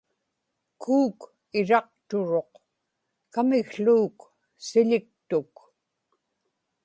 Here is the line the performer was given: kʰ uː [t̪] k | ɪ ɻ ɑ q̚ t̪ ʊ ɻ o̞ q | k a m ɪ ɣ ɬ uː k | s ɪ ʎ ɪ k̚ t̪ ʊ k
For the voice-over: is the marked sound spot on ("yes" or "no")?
no